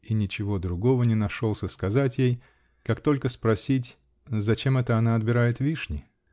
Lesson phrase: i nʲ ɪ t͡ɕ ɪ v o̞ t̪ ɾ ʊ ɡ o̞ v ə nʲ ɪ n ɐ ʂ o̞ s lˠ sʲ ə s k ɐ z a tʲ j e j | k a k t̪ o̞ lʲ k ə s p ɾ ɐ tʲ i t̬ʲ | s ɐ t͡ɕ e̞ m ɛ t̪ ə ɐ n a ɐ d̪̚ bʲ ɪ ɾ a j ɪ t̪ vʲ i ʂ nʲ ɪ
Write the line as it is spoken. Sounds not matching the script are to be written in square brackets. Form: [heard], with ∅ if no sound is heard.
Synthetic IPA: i nʲ ɪ t͡ɕ ɪ v o̞ [d̪] ɾ ʊ ɡ o̞ v ə nʲ ɪ n ɐ ʂ o̞ [∅] lˠ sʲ ə s k ɐ z a tʲ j e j | k a k t̪ o̞ lʲ k ə s p ɾ ɐ [sʲ] i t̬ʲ | [z] ɐ t͡ɕ e̞ m ɛ t̪ ə ɐ n a ɐ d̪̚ bʲ ɪ ɾ a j ɪ t̪ vʲ i ʂ nʲ ɪ